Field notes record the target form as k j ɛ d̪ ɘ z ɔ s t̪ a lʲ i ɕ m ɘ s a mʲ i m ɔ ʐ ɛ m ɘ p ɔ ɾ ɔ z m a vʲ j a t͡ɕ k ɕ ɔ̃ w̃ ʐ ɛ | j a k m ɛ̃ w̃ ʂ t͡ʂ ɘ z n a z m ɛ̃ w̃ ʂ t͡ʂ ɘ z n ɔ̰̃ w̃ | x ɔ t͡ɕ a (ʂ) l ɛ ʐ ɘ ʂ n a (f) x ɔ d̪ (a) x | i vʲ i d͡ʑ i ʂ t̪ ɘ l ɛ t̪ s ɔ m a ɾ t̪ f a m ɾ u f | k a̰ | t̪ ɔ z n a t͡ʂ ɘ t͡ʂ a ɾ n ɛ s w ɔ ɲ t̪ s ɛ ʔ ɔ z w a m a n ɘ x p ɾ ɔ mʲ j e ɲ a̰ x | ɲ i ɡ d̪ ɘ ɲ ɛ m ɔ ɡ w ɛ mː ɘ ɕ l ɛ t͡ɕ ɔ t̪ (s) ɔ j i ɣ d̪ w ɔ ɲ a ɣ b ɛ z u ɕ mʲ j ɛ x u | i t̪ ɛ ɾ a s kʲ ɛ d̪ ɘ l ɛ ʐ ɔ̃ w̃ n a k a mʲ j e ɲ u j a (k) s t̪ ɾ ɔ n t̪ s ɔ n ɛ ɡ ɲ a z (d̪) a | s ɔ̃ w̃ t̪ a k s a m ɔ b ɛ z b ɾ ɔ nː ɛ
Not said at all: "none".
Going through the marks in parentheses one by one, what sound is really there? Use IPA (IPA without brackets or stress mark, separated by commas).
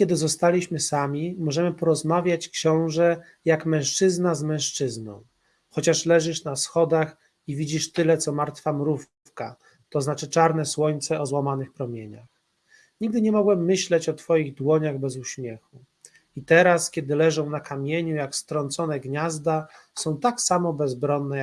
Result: ʂ, s, a, f, k, d̪